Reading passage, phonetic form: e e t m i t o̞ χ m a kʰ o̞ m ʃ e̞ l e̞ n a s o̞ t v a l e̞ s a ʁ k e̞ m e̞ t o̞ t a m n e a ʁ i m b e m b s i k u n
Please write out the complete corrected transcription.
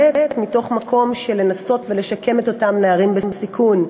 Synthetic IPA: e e t m i t o̞ χ m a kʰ o̞ m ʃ e̞ l e̞ n a s o̞ t v e l e̞ ʃ a k e̞ m e̞ t o̞ t a m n e a ʁ i m b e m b s i k u n